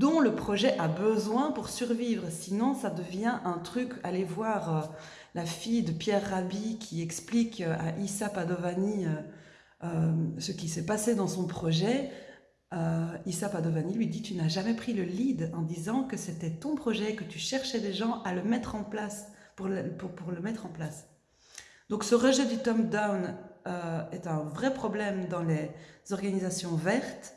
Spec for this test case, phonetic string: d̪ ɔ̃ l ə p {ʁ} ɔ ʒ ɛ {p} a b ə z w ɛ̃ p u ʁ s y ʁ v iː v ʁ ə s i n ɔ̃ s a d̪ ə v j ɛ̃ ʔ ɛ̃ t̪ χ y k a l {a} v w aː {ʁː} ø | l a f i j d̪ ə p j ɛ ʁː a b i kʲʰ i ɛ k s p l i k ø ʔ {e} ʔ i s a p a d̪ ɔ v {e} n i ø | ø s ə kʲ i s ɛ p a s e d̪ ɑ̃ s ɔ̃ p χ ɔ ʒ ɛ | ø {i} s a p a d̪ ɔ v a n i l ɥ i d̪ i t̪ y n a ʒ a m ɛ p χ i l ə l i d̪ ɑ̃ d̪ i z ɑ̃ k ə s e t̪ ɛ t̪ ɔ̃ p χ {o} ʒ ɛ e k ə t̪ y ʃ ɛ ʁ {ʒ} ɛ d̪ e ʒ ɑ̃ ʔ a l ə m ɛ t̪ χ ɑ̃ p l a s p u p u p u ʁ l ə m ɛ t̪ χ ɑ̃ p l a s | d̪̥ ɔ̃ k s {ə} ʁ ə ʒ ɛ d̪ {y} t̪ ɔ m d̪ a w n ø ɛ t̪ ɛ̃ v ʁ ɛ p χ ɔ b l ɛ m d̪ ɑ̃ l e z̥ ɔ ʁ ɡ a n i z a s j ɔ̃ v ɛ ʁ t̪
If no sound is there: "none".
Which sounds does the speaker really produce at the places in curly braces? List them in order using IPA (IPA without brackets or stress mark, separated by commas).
χ, ʔ, e, ʁ, a, a, i, ɔ, ʃ, ə, y